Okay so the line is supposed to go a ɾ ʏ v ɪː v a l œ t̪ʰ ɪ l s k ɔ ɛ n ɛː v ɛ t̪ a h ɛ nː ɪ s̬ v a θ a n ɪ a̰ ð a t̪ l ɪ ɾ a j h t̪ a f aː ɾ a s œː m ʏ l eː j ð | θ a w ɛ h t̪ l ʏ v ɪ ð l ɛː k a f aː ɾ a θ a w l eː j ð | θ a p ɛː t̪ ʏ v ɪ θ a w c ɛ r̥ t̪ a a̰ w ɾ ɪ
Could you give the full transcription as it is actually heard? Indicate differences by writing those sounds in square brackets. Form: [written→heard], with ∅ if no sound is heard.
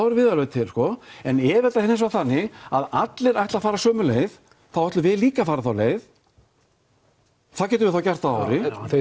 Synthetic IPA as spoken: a ɾ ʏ v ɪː [v→ð] a l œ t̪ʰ ɪ l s k ɔ ɛ n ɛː v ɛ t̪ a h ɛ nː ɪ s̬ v a θ a [n→nː] ɪ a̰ ð a t̪ l ɪ ɾ a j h t̪ a f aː ɾ a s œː m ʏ l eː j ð | θ a w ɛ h t̪ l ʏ v ɪ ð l [ɛː→iː] k a f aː ɾ a θ a w l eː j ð | θ a [p→c] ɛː t̪ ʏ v ɪ θ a w c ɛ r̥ t̪ a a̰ w ɾ ɪ